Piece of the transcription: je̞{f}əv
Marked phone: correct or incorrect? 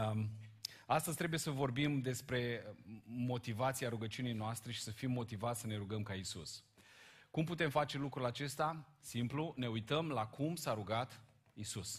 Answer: incorrect